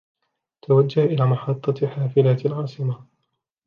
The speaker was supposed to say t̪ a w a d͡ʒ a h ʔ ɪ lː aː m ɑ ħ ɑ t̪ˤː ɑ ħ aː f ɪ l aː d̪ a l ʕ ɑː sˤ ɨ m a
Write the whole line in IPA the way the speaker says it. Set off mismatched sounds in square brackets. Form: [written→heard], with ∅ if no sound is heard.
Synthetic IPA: t̪ a w a [d͡ʒ→d͡ʒː] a h ʔ ɪ [lː→l] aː m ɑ ħ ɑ t̪ˤː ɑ ħ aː f ɪ l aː [d̪→t̪] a l ʕ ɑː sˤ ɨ m a